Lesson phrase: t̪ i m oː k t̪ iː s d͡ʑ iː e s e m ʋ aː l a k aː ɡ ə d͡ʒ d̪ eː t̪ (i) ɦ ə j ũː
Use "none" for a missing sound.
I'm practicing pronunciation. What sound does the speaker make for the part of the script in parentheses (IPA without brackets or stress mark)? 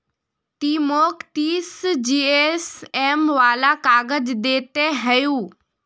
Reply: e